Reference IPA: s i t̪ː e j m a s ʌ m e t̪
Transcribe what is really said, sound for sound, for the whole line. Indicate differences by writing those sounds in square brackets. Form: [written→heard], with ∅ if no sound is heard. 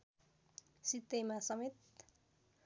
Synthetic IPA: s i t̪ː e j m a s ʌ m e t̪